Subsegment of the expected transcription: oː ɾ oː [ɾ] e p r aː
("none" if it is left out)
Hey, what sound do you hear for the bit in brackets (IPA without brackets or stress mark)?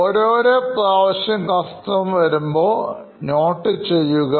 ɾ